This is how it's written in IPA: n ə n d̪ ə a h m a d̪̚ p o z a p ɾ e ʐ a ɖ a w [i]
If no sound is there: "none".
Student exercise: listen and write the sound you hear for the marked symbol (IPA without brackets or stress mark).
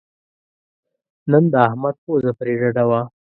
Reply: a